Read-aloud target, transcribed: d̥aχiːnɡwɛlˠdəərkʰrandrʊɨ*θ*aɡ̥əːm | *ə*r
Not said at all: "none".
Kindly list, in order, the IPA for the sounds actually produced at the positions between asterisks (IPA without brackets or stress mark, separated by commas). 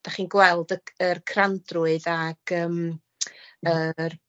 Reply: ð, ə